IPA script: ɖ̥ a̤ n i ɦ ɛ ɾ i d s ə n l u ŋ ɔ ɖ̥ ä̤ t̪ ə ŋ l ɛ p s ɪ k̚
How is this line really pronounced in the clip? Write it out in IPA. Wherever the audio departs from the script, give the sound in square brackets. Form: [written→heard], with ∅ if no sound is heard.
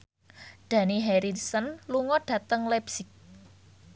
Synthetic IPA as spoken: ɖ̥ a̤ n i ɦ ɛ ɾ i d s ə n l u ŋ ɔ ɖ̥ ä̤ t̪ ə ŋ l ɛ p s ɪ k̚

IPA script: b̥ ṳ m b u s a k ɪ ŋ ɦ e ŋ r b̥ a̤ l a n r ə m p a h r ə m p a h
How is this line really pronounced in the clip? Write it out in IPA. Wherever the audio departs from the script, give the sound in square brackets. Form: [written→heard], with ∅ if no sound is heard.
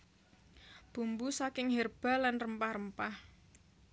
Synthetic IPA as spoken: b̥ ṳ m b u s a k ɪ ŋ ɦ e [ŋ→∅] r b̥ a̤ l a n r ə m p a h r ə m p a h

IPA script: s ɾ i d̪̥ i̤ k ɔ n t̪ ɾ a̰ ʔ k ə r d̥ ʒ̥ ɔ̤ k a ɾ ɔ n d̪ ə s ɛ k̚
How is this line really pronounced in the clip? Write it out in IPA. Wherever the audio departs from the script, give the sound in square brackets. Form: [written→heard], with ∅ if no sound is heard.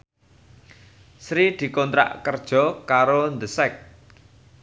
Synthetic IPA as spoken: s ɾ i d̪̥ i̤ k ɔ n t̪ ɾ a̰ ʔ k ə r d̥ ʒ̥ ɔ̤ k a ɾ [ɔ→o] n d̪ ə s ɛ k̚

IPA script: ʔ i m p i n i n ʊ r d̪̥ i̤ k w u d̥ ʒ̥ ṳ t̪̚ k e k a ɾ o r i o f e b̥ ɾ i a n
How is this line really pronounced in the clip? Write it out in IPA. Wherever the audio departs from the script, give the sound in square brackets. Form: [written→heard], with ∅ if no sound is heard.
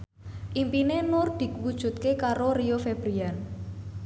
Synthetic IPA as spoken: ʔ i m p i n [i→e] n ʊ r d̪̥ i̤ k w u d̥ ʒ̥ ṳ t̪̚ k e k a ɾ o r i o f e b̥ ɾ i a n

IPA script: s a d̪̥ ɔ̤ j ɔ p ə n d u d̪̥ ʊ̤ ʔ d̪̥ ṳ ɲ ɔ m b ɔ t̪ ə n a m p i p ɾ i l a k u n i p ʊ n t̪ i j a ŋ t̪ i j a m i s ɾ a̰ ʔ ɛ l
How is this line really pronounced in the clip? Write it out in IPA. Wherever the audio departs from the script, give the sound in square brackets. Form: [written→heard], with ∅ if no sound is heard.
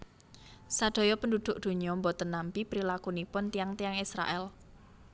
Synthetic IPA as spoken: s a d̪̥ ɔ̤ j ɔ p ə n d u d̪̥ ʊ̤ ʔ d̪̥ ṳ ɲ ɔ m b ɔ t̪ ə n a m p i p ɾ i l a k u n i p ʊ n t̪ i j a ŋ t̪ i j a [m→ŋ] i s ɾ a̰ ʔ ɛ l

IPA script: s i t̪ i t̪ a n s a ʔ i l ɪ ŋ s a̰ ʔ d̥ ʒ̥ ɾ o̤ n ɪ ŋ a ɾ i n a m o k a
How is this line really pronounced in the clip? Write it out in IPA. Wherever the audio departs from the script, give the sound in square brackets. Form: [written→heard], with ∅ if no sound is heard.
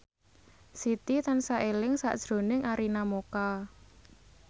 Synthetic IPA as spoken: s i t̪ i t̪ a n s a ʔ [i→e] l ɪ ŋ s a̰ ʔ d̥ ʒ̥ ɾ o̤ n ɪ ŋ a ɾ i n a m o k a

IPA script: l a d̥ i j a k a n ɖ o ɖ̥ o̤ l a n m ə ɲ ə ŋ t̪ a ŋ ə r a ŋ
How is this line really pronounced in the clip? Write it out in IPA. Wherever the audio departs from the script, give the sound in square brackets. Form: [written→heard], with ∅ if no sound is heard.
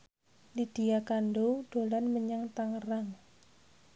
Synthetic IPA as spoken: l [a→i] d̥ i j a k a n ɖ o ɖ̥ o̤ l a n m ə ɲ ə ŋ t̪ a ŋ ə r a ŋ

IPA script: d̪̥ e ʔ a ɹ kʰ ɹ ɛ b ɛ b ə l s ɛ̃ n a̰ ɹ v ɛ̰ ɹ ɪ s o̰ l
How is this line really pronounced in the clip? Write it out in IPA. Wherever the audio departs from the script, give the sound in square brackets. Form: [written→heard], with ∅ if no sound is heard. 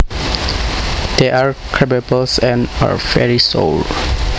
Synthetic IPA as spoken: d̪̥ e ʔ a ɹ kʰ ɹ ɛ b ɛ b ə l s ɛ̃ n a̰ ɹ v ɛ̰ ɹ [ɪ→i] s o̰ l

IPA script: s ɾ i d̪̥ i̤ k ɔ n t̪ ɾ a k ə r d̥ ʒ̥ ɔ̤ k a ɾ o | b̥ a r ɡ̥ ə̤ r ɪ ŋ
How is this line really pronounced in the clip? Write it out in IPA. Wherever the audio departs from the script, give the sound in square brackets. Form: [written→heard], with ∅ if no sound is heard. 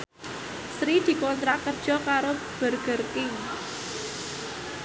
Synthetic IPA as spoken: s ɾ i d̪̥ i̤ k ɔ n t̪ ɾ a k ə r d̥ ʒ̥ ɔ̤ k a ɾ o | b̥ [a→ə] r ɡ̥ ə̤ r ɪ ŋ

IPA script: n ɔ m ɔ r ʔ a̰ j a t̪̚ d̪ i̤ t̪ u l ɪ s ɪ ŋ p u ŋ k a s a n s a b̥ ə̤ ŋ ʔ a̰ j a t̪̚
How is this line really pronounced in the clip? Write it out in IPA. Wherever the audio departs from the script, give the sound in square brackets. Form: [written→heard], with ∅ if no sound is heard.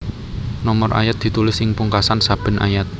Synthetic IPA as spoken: n ɔ m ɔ r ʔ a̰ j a t̪̚ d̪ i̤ t̪ u l ɪ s ɪ ŋ p u ŋ k a s a n s a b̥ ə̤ [ŋ→n] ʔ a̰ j a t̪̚

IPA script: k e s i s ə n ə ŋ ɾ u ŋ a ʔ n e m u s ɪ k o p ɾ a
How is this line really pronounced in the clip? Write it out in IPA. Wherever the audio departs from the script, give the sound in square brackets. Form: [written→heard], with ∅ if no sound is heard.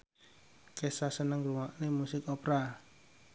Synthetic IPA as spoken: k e s [i→a] s ə n ə ŋ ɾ u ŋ a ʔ n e m u s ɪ k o p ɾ a

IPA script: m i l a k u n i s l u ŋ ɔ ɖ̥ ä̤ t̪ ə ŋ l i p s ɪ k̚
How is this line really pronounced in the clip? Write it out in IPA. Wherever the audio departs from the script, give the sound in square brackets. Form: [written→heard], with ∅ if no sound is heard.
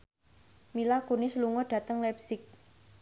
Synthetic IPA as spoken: m i l a k u n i s l u ŋ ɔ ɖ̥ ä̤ t̪ ə ŋ l [i→ɛ] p s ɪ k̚

